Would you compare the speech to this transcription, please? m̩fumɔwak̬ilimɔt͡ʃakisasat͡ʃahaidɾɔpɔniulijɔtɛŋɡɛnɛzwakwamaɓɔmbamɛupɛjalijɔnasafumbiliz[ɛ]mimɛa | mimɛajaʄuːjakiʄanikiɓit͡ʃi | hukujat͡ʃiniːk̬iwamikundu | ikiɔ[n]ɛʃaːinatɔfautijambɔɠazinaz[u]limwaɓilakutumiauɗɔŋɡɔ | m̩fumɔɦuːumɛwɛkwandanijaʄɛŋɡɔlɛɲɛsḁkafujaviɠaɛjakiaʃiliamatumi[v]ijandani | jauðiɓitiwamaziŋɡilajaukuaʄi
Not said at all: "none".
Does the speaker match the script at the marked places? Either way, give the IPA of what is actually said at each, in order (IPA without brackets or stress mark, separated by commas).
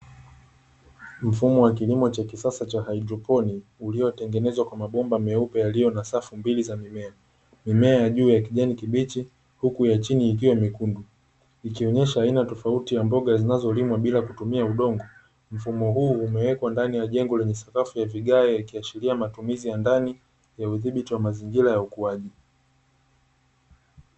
a, ɲ, ɔ, z